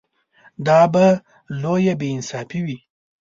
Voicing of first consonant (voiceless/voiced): voiced